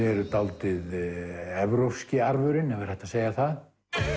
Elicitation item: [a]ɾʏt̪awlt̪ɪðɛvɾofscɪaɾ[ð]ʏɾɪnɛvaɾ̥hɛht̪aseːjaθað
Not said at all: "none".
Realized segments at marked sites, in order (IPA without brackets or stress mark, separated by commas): ɛ, v